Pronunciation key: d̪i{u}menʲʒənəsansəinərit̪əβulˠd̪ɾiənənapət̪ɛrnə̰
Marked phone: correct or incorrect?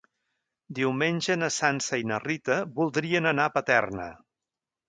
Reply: incorrect